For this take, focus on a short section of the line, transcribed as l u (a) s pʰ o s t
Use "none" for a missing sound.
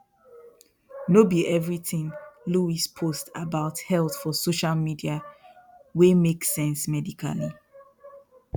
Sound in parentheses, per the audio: i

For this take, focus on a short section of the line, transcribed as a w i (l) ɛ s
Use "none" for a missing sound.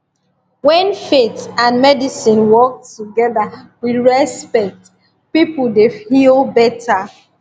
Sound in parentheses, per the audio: ɹ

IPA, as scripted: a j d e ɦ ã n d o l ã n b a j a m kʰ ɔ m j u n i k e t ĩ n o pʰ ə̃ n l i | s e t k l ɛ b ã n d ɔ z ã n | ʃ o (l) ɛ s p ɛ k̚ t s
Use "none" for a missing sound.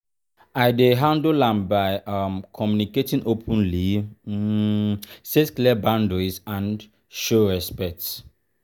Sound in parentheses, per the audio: ɹ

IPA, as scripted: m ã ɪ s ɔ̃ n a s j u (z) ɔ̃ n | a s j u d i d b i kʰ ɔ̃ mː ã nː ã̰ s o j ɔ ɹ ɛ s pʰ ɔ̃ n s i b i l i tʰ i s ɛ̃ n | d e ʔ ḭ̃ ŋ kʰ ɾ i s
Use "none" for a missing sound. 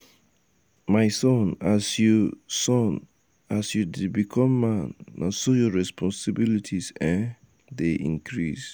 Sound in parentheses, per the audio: s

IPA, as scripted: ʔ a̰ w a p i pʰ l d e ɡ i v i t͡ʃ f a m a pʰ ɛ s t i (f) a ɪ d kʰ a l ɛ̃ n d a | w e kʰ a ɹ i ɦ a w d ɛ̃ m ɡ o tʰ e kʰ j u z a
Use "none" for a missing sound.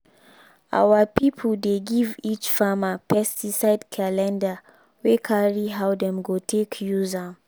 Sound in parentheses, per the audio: s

